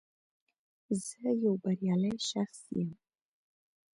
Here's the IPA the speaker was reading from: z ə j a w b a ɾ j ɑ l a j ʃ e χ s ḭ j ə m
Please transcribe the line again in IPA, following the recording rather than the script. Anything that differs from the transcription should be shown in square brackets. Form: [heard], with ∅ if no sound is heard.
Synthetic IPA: z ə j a w b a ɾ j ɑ l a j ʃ [a] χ s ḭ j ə m